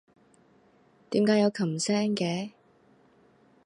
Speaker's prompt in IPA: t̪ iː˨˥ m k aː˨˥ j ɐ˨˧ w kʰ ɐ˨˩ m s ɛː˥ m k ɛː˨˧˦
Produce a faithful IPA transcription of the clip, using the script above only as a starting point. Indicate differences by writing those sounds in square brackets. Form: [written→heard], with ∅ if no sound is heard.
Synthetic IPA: t̪ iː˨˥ m k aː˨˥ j ɐ˨˧ w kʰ ɐ˨˩ m s ɛː˥ [m→ŋ] k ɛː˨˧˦